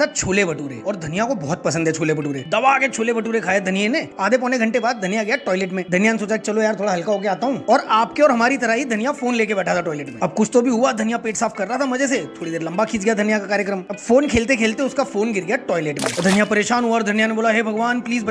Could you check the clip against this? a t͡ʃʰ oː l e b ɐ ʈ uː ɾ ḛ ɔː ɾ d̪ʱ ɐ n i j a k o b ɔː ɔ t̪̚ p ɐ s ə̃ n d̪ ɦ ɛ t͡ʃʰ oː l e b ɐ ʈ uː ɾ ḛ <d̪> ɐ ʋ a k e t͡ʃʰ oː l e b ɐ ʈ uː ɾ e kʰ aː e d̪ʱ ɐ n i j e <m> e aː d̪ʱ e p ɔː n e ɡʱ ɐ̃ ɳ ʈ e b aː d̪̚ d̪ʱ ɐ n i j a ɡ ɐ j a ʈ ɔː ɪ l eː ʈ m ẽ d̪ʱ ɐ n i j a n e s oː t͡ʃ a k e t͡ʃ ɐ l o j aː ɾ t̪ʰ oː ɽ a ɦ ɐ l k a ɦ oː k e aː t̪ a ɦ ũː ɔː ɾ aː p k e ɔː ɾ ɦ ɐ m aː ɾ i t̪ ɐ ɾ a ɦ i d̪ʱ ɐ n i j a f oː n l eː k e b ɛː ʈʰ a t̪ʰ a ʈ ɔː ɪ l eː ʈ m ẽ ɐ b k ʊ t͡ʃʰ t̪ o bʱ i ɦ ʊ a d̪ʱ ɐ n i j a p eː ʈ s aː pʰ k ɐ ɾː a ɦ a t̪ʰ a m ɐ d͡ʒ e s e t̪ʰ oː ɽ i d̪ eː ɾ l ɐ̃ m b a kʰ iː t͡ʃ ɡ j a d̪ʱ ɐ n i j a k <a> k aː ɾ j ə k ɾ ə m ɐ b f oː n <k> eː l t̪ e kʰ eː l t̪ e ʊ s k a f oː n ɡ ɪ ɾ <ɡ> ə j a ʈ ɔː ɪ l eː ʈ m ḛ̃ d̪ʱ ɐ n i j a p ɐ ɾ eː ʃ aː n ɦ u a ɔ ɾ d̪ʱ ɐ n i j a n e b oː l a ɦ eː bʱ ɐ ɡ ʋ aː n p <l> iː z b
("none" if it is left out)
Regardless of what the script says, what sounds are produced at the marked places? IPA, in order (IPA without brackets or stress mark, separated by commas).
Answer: d̪, n, a, kʰ, ɡ, l